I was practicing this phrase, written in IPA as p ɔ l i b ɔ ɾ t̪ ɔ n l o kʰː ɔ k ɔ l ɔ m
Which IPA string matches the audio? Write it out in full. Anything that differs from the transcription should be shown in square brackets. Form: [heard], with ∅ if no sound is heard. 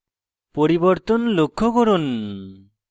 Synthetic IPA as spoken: p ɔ [ɾ] i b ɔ ɾ t̪ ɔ n l o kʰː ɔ k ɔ [ɾ] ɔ [n]